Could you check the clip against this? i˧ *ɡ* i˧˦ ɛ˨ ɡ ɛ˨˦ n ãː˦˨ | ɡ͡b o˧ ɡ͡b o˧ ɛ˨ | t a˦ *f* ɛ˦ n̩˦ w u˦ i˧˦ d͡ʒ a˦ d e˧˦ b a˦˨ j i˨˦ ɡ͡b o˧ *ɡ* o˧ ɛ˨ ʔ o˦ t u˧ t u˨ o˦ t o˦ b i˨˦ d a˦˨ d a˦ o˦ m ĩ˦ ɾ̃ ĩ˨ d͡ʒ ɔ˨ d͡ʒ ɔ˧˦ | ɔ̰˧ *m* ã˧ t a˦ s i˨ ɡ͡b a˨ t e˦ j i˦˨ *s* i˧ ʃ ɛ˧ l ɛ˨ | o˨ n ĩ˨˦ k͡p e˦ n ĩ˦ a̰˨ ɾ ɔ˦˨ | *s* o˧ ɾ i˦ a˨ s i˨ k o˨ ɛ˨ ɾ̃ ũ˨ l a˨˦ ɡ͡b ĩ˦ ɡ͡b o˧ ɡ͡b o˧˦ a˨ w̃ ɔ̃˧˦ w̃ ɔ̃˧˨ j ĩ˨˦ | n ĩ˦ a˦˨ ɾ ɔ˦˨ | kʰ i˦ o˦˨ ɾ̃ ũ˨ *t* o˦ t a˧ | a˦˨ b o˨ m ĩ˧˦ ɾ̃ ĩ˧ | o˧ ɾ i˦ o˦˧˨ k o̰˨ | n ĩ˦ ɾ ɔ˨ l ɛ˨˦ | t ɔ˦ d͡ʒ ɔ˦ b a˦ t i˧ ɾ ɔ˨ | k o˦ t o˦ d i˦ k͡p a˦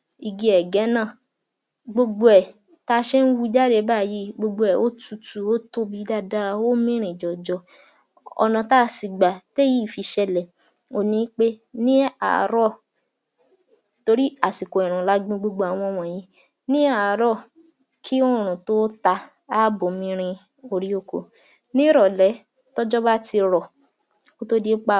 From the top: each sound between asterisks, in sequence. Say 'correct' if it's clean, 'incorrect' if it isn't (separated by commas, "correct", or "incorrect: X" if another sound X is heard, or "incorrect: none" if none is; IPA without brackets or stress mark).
correct, incorrect: ʃ, incorrect: ɡ͡b, incorrect: n, incorrect: f, incorrect: t, correct